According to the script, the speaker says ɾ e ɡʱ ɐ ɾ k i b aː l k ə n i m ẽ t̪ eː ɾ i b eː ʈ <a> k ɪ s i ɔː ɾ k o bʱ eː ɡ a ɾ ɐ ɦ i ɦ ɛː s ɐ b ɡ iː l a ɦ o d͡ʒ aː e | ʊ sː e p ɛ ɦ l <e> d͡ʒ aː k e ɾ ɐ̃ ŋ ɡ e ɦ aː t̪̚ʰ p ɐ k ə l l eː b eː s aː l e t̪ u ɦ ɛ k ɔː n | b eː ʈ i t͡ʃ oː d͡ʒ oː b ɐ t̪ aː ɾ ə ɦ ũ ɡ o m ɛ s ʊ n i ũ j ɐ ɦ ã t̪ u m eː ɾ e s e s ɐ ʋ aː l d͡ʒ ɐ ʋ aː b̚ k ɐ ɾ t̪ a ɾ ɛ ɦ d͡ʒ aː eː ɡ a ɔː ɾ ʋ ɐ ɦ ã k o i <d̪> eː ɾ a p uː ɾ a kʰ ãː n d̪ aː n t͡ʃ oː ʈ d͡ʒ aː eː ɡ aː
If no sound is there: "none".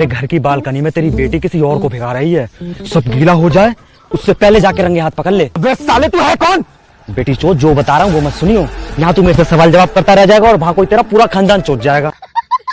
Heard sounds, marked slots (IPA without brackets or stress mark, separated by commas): i, e, t̪